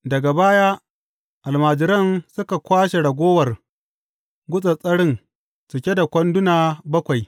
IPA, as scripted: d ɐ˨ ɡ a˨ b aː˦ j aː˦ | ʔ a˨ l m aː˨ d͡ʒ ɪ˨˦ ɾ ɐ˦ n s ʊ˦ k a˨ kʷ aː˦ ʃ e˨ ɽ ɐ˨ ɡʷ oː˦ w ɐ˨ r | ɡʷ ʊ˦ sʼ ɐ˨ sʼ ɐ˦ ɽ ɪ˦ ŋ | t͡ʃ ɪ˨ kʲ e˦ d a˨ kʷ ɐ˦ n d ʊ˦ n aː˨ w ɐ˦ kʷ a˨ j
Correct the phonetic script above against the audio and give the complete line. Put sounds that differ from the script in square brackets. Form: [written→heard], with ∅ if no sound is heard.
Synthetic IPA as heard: d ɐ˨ ɡ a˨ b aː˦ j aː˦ | ʔ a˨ l m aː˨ d͡ʒ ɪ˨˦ ɾ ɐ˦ n s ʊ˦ k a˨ kʷ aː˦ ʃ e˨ ɽ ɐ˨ ɡʷ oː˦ w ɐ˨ r | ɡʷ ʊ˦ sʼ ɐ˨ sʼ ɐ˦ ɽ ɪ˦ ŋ | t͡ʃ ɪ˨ kʲ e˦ d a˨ kʷ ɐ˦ n d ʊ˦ n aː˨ [w→b] ɐ˦ kʷ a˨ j